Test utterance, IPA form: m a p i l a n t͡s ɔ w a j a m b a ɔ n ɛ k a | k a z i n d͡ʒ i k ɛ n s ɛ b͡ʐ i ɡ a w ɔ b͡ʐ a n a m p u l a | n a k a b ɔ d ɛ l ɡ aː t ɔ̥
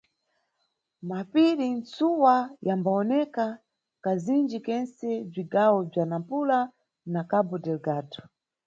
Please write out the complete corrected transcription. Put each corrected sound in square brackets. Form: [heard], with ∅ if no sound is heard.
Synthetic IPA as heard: m a p i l [i] n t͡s [u] w a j a m b a ɔ n ɛ k a | k a z i n d͡ʒ i k ɛ n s ɛ b͡ʐ i ɡ a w ɔ b͡ʐ a n a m p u l a | n a k a b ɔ d ɛ l ɡ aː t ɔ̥